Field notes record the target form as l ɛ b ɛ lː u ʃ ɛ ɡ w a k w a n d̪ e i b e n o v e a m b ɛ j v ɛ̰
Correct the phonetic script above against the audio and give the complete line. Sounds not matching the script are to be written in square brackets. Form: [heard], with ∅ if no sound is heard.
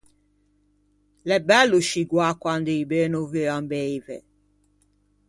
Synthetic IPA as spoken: l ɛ b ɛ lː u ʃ [i] ɡ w a k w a n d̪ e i b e n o v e a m b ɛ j v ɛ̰